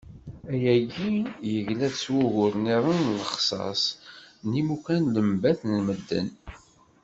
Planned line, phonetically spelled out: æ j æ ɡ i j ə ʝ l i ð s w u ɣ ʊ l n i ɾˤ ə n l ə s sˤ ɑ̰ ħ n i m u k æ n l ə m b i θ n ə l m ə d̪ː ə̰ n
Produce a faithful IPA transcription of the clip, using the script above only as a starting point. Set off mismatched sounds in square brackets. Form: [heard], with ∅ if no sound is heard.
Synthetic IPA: æ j æ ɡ i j ə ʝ l [æ] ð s w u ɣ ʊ [ɾ] n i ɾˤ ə n l ə [χ] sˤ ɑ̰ [s] n i m u k æ n l ə m b [æ] θ n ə l m ə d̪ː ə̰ n